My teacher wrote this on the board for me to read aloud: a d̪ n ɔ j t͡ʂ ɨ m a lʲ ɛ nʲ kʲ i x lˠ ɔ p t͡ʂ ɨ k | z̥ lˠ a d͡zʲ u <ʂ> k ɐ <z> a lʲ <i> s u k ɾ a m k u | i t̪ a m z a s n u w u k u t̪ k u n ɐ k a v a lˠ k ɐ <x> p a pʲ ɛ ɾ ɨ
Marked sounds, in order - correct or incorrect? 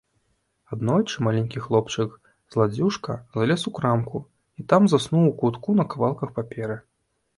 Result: correct, correct, incorrect: ɛ, correct

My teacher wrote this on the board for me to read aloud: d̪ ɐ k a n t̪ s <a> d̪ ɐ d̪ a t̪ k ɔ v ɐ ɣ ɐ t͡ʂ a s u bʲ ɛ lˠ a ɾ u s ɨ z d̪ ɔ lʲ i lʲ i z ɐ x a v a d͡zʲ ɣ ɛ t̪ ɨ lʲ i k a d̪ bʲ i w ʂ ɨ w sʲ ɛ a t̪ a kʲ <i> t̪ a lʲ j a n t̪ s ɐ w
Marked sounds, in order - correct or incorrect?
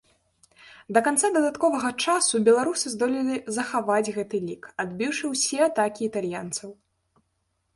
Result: correct, incorrect: iː

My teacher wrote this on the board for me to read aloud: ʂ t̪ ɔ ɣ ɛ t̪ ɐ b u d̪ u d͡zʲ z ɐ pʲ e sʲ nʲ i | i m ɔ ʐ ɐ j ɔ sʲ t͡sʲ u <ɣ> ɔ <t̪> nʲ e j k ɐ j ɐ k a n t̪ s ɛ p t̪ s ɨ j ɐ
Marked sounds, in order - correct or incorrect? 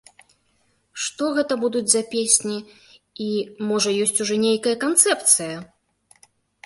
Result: incorrect: ʐ, incorrect: none

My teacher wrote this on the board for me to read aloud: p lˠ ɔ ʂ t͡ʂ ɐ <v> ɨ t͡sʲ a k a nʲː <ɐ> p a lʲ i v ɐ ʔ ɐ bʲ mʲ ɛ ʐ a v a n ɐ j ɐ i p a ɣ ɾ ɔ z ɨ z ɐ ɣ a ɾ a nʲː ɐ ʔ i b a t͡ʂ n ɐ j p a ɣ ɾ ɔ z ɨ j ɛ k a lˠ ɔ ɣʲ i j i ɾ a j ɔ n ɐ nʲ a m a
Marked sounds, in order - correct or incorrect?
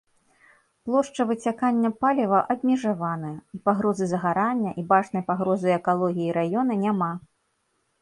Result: correct, correct

